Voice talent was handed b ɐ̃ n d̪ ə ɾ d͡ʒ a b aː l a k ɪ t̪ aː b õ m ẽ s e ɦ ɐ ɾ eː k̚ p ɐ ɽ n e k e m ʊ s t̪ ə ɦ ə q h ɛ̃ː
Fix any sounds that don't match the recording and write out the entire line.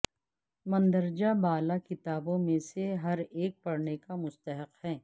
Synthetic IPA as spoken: m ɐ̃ n d̪ ə ɾ d͡ʒ a b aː l a k ɪ t̪ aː b õ m ẽ s e ɦ ɐ ɾ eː k̚ p ɐ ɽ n e k a m ʊ s t̪ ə ɦ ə q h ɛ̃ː